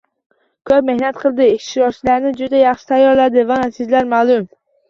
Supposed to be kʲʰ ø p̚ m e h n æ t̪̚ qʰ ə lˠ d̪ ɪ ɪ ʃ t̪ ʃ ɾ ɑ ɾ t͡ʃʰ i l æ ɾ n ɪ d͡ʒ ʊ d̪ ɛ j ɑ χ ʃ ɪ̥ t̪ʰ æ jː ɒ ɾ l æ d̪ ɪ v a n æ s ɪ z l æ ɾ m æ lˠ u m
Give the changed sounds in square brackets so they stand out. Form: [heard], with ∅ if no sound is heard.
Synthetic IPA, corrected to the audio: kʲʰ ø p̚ m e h n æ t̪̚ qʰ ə lˠ d̪ ɪ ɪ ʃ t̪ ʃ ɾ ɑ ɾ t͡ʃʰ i l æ ɾ n ɪ d͡ʒ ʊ d̪ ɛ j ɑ χ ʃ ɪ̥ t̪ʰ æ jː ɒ ɾ l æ d̪ ɪ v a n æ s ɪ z l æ ɾ m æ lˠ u m